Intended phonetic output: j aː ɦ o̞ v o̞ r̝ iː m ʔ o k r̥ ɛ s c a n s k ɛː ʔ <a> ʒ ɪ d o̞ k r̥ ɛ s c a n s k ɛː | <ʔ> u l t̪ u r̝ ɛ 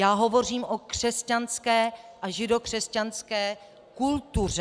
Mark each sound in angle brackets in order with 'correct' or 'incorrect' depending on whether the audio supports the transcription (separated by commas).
correct, incorrect